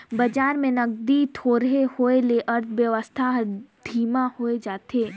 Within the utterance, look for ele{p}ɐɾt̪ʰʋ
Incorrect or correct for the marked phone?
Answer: incorrect: ʔ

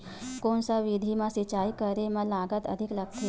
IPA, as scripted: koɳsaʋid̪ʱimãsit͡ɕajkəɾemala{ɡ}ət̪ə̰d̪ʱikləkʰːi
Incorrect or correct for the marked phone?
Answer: correct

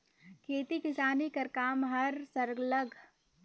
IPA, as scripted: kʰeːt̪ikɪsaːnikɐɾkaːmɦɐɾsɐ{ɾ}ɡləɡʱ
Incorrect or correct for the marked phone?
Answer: correct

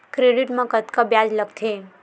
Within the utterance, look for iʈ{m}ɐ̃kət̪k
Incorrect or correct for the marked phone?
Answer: correct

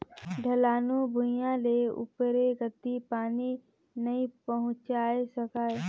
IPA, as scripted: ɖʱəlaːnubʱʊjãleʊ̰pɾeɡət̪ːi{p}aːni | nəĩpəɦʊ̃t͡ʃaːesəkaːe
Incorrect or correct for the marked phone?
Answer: correct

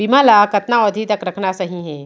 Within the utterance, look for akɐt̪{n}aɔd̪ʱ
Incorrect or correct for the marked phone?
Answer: correct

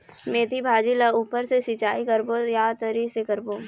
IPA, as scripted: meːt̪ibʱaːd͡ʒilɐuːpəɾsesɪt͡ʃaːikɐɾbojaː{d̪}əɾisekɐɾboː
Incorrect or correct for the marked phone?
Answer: incorrect: t̪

